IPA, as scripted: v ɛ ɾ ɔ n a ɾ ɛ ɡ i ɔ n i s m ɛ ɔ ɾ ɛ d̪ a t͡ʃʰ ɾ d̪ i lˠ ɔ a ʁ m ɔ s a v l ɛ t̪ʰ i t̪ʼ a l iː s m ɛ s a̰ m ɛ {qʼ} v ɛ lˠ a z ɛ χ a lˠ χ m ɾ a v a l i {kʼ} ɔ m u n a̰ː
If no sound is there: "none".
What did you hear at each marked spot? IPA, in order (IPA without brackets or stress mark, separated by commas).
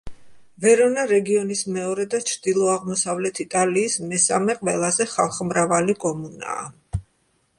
qʼ, kʼ